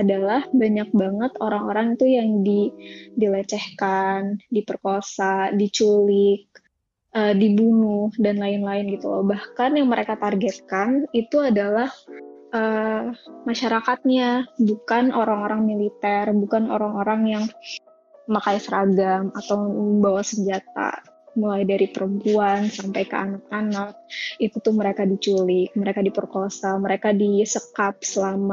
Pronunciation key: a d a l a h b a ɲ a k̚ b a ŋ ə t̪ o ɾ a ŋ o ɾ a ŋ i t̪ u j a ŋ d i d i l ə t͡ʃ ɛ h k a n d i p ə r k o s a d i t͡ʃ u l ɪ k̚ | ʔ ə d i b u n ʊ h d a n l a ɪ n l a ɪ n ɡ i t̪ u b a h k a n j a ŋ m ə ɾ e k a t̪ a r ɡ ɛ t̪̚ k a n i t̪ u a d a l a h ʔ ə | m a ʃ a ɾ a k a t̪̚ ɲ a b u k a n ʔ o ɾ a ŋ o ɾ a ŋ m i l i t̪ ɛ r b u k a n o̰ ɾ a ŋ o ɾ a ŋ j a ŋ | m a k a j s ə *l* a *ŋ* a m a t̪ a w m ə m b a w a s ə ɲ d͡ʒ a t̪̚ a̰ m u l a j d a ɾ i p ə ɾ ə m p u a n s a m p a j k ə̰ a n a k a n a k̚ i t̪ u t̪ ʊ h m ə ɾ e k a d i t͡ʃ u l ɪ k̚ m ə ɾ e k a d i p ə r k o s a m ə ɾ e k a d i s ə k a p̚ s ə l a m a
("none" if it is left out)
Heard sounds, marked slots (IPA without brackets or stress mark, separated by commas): ɾ, ɡ